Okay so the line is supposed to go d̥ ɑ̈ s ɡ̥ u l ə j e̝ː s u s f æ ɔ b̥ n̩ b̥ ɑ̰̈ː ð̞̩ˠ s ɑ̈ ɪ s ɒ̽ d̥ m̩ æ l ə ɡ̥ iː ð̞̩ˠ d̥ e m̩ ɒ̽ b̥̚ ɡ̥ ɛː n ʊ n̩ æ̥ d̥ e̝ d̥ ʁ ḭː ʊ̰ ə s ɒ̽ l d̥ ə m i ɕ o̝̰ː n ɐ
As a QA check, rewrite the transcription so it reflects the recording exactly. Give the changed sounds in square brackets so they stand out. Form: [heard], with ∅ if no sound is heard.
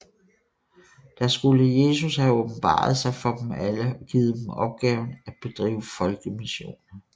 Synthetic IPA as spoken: d̥ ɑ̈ s ɡ̥ u l ə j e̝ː s u s [h] æ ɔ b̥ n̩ b̥ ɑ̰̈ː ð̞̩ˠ s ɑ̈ ɪ [f] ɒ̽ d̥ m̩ æ l ə ɡ̥ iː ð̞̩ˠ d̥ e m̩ ɒ̽ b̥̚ ɡ̥ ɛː [∅] ʊ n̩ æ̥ [b̥] e̝ d̥ ʁ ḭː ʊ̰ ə [f] ɒ̽ l [ɡ̥] ə m i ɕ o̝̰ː n ɐ